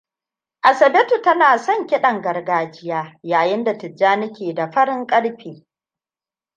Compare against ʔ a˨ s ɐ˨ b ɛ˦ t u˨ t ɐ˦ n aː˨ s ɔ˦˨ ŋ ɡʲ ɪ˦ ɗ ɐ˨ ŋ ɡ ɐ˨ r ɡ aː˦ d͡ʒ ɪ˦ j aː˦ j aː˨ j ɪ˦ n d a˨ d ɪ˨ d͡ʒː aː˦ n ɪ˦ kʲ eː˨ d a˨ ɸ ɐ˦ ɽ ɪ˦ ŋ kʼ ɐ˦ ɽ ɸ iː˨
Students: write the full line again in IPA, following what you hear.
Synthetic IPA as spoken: ʔ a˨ s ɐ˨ b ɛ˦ t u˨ t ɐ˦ n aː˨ s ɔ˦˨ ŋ kʲ ɪ˦ ɗ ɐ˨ ŋ ɡ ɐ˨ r ɡ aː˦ d͡ʒ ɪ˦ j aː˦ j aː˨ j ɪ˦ n d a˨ t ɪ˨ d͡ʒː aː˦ n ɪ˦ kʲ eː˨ d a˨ ɸ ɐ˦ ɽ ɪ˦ ŋ kʼ ɐ˦ ɽ ɸ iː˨